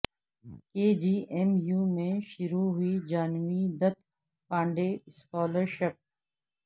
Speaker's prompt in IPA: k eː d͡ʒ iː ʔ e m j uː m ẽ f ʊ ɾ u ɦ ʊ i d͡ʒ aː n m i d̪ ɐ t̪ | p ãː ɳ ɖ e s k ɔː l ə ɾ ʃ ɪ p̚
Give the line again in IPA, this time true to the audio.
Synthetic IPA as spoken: k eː d͡ʒ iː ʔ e m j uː m ẽ ʃ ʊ ɾ u ɦ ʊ i d͡ʒ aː n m i d̪ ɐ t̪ | p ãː ɳ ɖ e s k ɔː l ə ɾ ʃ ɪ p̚